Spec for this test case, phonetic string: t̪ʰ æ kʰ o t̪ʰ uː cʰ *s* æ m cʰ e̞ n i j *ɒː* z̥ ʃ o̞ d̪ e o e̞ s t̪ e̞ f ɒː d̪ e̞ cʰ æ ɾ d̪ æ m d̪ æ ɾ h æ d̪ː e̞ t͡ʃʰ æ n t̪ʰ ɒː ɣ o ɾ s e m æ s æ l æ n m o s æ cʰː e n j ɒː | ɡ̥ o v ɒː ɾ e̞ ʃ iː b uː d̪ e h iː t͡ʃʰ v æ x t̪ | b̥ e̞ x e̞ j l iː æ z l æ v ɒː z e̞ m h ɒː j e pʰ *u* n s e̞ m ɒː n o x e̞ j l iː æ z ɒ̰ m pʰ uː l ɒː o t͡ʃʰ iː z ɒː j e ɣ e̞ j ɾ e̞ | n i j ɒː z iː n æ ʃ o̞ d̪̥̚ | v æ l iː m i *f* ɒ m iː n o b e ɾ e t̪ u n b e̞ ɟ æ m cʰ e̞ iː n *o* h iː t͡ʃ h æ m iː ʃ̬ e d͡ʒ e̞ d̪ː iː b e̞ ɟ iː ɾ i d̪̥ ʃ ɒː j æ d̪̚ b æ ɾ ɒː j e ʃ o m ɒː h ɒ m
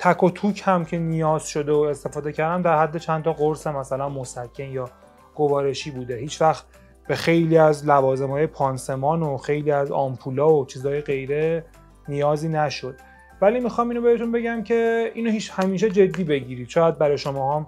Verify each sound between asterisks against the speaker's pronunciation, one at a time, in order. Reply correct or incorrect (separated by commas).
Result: incorrect, correct, incorrect, incorrect, correct